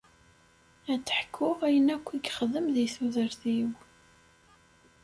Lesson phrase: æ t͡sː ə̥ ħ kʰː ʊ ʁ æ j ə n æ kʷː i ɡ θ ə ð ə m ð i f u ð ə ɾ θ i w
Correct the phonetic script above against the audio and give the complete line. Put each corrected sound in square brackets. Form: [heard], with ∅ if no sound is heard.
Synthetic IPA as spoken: æ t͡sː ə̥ ħ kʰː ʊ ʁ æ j ə n æ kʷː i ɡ [χ] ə ð ə m ð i [θ] u ð ə ɾ θ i w